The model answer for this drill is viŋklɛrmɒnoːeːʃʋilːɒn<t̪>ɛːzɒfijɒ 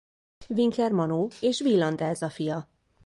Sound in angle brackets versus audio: incorrect: d̪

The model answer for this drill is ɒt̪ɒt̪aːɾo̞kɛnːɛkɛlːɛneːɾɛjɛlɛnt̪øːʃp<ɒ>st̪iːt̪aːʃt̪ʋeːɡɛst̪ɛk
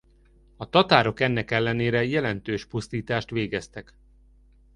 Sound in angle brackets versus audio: incorrect: u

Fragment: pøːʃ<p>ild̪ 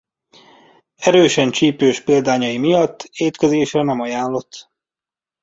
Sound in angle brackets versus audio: correct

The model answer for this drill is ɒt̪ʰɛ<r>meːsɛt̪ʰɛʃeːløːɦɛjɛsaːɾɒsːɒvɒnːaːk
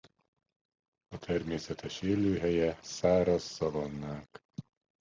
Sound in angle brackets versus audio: correct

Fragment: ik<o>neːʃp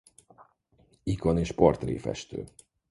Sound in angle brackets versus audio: correct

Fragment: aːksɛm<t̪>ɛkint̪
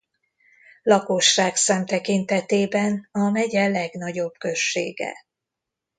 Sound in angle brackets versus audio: correct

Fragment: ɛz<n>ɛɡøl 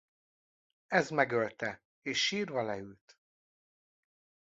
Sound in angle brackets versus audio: incorrect: m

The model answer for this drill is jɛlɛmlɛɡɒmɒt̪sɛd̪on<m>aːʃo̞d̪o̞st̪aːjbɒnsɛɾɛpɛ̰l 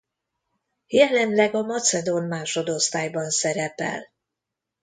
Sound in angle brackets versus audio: correct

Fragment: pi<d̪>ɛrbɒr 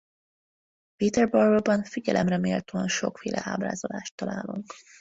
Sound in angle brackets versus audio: incorrect: t̪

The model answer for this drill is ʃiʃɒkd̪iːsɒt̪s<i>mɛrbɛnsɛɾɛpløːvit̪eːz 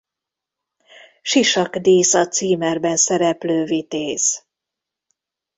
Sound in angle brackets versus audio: incorrect: iː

